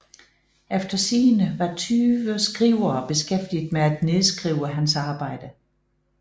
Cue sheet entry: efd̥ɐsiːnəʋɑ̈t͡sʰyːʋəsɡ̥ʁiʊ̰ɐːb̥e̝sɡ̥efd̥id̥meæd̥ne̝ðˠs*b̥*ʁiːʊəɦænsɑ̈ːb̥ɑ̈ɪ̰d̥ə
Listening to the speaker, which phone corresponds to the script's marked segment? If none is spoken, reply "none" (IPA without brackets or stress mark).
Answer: ɡ̥